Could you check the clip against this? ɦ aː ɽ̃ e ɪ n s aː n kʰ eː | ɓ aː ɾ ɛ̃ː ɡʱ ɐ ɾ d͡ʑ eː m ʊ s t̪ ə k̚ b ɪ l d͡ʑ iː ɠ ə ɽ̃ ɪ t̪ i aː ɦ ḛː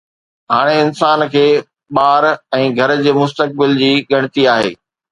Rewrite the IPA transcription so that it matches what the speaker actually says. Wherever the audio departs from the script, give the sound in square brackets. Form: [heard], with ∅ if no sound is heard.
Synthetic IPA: ɦ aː ɽ̃ e ɪ n s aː n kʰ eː | ɓ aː ɾ ɛ̃ː ɡʱ ɐ ɾ d͡ʑ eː m ʊ s t̪ ə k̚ b ɪ l d͡ʑ iː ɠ [ɐ] ɽ̃ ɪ t̪ i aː ɦ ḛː